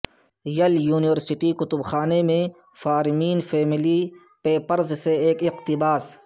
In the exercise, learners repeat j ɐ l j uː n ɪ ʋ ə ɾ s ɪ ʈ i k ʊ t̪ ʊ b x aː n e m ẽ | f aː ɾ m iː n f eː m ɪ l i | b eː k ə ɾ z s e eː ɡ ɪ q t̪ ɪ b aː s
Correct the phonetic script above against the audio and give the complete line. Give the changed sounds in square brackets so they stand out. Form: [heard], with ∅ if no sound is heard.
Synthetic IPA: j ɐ l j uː n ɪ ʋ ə ɾ s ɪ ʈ i k ʊ t̪ ʊ b x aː n e m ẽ | f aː ɾ m iː n f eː m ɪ l i | [p] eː [p] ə ɾ z s e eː [k] ɪ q t̪ ɪ b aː s